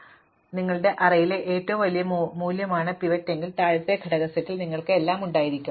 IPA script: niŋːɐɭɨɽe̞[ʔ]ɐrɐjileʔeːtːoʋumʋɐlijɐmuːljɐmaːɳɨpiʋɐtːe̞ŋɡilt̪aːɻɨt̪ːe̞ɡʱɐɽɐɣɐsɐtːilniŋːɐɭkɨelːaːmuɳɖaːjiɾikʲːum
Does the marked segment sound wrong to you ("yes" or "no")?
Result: no